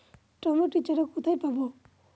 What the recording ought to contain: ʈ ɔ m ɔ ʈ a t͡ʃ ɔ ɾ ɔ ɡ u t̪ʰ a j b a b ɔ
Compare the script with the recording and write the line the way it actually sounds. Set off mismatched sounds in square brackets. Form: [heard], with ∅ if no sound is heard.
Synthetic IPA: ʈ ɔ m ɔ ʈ [i] t͡ʃ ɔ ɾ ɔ [k] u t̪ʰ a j [p] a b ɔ